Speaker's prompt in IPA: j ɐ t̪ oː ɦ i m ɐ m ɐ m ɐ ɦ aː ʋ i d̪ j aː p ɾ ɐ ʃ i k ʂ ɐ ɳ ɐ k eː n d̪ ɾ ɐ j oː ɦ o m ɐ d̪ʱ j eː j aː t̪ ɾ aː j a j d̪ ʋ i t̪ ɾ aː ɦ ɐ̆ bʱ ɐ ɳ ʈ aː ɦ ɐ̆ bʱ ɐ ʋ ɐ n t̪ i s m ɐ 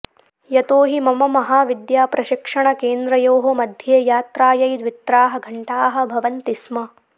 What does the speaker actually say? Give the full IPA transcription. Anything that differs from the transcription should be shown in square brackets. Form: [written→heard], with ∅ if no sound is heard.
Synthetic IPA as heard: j ɐ t̪ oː ɦ i m ɐ m ɐ m ɐ ɦ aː ʋ i d̪ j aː p ɾ ɐ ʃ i k ʂ ɐ ɳ ɐ k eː n d̪ ɾ ɐ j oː ɦ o m ɐ d̪ʱ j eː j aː t̪ ɾ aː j [a→ɐ] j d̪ ʋ i t̪ ɾ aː ɦ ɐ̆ [bʱ→ɡʱ] ɐ ɳ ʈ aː ɦ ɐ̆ bʱ ɐ ʋ ɐ n t̪ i s m ɐ